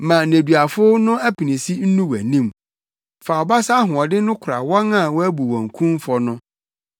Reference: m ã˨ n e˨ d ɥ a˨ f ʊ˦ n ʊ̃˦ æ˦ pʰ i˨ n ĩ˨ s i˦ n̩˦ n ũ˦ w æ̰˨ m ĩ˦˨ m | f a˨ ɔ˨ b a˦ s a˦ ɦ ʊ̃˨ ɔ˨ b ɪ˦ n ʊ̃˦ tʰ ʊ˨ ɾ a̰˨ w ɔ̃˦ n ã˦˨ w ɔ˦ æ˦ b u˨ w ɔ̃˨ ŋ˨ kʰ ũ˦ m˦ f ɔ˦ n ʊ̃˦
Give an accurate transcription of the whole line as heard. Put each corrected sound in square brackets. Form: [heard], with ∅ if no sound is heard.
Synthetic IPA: m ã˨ n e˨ d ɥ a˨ f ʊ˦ n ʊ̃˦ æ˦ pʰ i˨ n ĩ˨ s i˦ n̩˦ n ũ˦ w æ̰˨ [n] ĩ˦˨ m | f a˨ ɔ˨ b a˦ s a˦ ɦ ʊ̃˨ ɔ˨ [d] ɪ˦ n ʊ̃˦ [kʰ] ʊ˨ ɾ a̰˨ w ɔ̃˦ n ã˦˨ w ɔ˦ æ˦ b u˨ w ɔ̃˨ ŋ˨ kʰ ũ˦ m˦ f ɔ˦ n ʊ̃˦